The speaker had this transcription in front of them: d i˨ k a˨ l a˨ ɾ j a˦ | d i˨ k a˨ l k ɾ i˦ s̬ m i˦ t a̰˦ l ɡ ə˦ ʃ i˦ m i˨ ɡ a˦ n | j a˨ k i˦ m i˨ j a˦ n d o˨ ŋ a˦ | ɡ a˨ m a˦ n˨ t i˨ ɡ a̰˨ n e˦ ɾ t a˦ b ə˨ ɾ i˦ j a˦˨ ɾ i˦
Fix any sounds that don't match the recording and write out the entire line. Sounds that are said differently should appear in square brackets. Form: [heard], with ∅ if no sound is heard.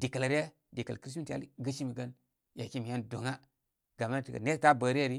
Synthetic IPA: d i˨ k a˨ l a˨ ɾ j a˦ | d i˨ k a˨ l k ɾ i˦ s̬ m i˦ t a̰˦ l ɡ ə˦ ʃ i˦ m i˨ ɡ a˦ n | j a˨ k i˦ m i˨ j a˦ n d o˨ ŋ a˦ | ɡ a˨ m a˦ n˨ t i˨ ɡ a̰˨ n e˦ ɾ t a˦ b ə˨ ɾ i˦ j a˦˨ ɾ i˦